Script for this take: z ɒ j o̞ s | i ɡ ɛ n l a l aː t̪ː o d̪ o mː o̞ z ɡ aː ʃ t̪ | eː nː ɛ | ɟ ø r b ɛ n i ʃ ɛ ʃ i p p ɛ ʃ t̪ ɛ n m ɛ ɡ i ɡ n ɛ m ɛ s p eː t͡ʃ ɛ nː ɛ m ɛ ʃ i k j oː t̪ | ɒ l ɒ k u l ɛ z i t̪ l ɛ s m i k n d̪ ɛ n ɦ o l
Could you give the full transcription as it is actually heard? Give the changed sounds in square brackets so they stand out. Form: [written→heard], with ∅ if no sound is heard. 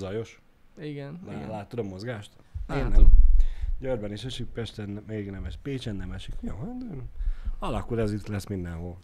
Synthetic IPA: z ɒ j o̞ [s→ʃ] | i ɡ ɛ n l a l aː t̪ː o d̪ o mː o̞ z ɡ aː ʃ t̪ | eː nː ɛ | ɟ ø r b ɛ n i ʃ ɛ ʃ i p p ɛ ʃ t̪ ɛ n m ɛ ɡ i ɡ n ɛ m ɛ [s→ʃ] p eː t͡ʃ ɛ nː ɛ m ɛ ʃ i k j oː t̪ | ɒ l ɒ k u l ɛ z i t̪ l ɛ s m i [k→∅] n d̪ ɛ n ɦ o l